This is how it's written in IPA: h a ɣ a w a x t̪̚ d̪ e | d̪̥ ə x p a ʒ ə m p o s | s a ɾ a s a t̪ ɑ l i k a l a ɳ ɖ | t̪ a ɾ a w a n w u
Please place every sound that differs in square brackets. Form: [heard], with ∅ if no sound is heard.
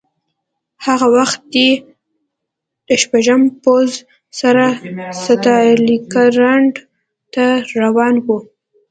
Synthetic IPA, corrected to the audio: h a ɣ a w a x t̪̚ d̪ e | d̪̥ ə [ʃ] p a ʒ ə m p o [z] | s a ɾ a s a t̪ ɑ l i k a [ɾ] a ɳ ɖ | t̪ a ɾ a w [ɑ] n w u